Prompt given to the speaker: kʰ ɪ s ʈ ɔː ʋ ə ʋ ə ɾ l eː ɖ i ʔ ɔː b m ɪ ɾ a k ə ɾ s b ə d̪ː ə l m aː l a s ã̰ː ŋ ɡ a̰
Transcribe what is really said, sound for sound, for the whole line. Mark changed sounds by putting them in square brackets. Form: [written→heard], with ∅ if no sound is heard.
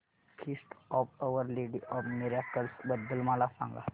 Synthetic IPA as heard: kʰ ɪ s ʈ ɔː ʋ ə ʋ ə ɾ l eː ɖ i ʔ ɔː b m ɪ ɾ a k ə [ɾ→l] s b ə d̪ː ə l m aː l a s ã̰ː ŋ ɡ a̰